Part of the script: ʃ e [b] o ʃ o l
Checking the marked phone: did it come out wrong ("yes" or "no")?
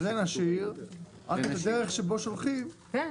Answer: no